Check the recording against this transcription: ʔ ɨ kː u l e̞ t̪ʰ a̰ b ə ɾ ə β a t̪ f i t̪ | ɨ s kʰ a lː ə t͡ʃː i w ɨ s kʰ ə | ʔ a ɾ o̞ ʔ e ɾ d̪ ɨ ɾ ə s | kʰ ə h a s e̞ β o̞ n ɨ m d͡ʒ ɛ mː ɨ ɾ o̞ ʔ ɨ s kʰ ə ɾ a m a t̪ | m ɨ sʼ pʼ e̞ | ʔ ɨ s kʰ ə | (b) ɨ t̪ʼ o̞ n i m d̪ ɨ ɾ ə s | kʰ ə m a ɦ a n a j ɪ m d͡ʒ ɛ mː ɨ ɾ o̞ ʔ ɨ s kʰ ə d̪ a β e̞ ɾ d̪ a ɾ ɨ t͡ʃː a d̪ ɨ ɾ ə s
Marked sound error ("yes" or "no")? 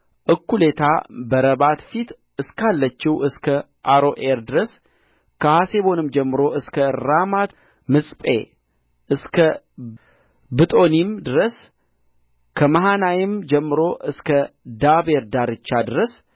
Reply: no